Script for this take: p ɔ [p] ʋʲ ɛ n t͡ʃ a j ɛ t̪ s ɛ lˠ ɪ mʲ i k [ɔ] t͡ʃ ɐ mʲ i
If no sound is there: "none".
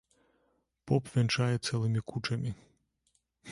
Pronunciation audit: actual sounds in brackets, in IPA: p, u

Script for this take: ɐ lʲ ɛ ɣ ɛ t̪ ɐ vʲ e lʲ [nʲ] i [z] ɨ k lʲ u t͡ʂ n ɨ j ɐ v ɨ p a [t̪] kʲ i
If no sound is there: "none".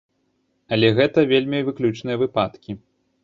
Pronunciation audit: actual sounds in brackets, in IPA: mʲ, v, t̪

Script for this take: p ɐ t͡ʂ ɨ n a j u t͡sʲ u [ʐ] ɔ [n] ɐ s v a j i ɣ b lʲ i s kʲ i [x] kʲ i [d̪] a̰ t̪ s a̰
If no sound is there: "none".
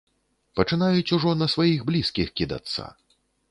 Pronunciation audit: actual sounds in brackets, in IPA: ʐ, n, x, d̪

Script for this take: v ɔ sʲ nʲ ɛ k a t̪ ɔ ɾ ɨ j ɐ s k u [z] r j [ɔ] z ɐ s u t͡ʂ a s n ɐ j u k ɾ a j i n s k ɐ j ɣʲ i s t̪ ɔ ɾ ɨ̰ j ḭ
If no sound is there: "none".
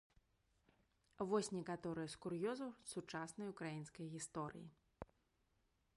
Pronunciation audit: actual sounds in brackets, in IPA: none, ɔ

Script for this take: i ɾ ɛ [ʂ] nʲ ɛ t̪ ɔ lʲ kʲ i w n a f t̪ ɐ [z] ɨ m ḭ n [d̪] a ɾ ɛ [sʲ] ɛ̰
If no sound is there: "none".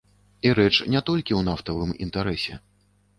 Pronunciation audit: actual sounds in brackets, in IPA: t͡ʂ, v, t̪, sʲ

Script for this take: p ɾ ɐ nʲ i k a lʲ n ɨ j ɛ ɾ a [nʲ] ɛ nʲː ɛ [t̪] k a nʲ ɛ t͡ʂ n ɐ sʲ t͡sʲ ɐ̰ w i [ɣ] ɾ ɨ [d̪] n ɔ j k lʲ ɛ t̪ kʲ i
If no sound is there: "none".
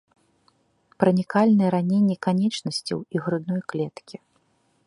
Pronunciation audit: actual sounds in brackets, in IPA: nʲ, none, ɣ, d̪

